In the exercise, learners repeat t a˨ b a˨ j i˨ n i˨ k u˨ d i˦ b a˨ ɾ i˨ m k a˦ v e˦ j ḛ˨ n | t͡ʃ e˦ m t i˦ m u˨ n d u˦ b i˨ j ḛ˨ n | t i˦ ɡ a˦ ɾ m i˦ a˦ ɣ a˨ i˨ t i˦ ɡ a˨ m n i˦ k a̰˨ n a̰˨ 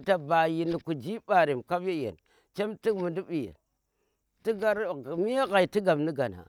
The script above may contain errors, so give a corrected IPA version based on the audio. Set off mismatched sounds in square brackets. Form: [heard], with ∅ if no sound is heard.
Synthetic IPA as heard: t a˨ b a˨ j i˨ n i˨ k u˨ [d͡ʒ] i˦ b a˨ ɾ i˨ m k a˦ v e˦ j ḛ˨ n | t͡ʃ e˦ m t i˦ m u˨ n d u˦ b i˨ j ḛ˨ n | t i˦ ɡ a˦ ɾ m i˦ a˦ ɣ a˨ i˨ t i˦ ɡ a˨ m n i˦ [ɡ] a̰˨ n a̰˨